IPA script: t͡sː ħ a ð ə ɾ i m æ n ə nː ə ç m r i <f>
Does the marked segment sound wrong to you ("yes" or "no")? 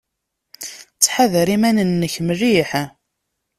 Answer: yes